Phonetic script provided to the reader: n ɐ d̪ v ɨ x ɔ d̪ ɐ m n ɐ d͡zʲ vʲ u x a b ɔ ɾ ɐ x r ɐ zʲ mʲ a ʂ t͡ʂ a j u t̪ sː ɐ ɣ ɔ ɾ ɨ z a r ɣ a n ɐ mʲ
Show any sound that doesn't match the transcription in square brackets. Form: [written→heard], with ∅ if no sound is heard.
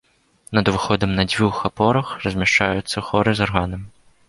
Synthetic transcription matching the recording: n ɐ d̪ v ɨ x ɔ d̪ ɐ m n ɐ d͡zʲ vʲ u x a [b→p] ɔ ɾ ɐ x r ɐ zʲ mʲ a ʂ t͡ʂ a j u t̪ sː ɐ [ɣ→x] ɔ ɾ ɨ z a r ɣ a n ɐ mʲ